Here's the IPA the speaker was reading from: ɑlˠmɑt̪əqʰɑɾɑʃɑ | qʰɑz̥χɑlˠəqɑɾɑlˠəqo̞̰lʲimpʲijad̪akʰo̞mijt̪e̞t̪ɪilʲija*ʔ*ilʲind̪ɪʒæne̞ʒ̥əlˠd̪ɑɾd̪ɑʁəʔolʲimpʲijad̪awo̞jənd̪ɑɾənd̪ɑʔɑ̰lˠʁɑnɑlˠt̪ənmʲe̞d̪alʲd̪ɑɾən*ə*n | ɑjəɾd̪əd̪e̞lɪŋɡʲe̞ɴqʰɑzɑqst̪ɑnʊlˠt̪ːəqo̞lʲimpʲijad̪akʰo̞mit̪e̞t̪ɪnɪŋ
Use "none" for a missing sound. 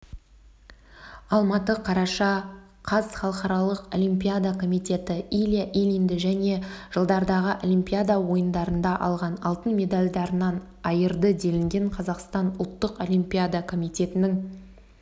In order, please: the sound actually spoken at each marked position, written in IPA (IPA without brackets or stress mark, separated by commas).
ʔ, ɑ